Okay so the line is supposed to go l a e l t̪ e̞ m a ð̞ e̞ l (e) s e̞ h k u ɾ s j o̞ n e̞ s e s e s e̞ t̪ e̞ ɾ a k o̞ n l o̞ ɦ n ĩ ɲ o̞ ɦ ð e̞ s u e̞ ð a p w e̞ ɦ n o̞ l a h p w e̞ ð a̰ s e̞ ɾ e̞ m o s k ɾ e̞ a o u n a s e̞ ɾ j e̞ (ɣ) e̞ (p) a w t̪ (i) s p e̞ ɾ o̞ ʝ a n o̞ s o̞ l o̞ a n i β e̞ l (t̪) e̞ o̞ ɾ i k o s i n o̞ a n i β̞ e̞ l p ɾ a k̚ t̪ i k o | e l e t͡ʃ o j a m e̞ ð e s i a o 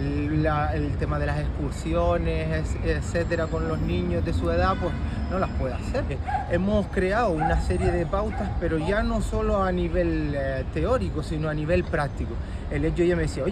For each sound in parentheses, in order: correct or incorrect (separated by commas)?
incorrect, incorrect, correct, incorrect, correct